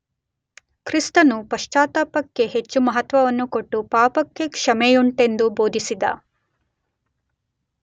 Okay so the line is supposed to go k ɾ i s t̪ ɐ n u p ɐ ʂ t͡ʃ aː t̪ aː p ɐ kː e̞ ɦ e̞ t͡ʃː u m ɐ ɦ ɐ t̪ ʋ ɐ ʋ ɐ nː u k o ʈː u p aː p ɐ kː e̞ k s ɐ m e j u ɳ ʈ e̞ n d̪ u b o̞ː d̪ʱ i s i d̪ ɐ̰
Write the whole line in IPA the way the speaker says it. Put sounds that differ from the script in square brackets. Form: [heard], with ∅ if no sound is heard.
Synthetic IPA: k ɾ i s t̪ ɐ n u p ɐ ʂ t͡ʃ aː t̪ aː p ɐ kː e̞ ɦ e̞ t͡ʃː u m ɐ ɦ ɐ t̪ ʋ ɐ ʋ ɐ nː u k o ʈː u p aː p ɐ kː e̞ k [ʂ] ɐ m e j u ɳ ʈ e̞ n d̪ u b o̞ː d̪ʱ i s i d̪ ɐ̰